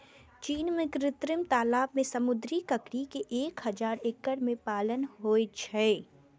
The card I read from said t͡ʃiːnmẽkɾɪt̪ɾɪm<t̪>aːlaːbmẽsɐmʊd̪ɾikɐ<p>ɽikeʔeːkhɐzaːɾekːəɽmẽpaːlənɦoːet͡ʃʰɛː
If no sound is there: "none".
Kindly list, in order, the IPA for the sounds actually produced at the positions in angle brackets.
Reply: t̪, k

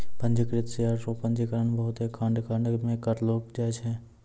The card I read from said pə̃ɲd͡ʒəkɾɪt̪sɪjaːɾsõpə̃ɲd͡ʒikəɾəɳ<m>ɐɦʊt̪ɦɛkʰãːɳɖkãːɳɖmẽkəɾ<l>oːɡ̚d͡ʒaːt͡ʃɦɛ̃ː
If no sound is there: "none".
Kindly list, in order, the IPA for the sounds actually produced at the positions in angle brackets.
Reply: b, l

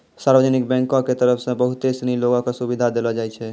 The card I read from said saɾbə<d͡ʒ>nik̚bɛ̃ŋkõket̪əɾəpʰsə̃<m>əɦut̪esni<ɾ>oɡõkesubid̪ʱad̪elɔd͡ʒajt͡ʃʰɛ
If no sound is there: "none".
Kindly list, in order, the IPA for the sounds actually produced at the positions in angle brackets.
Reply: d͡ʒ, b, l

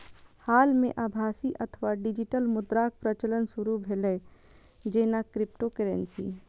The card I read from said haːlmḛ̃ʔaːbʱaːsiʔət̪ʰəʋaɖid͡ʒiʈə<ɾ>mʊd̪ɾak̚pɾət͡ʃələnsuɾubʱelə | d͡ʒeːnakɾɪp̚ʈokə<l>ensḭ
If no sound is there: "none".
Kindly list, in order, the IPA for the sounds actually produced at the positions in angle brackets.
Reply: l, ɾ

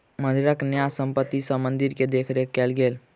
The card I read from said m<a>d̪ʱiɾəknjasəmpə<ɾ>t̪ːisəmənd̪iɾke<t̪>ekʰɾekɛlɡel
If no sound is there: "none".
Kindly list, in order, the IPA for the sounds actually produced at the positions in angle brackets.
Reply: ə, none, d̪

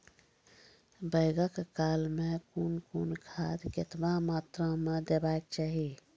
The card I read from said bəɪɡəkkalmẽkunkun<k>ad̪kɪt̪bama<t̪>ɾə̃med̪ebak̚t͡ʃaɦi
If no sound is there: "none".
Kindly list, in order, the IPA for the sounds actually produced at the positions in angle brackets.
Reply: kʰ, t̪

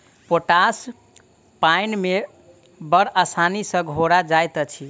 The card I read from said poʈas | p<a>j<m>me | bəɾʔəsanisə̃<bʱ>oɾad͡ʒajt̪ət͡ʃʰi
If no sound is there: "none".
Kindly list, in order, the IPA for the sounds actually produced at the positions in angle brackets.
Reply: a, n, ɡʱ

